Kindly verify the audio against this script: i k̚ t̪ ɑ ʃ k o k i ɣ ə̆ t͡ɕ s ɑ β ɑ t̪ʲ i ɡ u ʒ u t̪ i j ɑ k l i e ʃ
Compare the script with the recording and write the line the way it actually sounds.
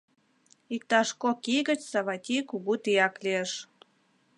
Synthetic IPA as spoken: i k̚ t̪ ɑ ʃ k o k i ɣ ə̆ t͡ɕ s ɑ β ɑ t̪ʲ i k u ɣ u t̪ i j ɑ k l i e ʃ

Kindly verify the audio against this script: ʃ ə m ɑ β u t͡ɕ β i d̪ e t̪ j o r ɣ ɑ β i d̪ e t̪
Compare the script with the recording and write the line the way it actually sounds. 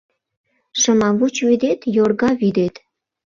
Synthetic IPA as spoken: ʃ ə m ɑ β u t͡ɕ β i d̪ e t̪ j o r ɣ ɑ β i d̪ e t̪

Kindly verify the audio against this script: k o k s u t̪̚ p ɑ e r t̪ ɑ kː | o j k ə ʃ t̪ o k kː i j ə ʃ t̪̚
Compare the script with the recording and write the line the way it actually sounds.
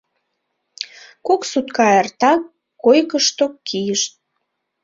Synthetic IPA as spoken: k o k s u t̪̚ k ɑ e r t̪ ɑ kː | o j k ə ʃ t̪ o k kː i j ə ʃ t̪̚

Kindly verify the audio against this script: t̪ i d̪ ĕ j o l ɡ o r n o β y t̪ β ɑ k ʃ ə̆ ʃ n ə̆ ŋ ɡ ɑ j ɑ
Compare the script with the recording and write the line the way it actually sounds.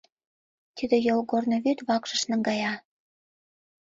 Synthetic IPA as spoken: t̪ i d̪ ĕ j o l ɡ o r n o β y t̪ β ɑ k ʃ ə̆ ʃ n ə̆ ŋ ɡ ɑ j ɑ

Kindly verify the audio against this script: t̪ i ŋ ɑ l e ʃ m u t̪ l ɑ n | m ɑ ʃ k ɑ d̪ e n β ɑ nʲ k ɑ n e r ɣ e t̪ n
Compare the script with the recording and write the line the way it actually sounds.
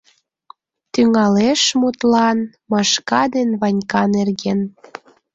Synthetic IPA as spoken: t̪ y ŋ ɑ l e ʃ m u t̪ l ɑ n | m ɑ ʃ k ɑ d̪ e n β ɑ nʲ k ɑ n e r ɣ e n

